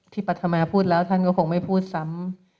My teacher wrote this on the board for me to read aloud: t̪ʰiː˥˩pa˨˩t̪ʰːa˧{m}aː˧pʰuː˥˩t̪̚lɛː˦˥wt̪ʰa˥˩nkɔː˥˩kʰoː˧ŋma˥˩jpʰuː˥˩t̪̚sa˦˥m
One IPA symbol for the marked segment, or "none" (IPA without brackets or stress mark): m